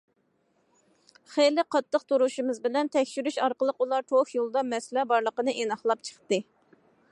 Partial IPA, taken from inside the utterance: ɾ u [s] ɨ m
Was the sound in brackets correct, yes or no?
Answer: no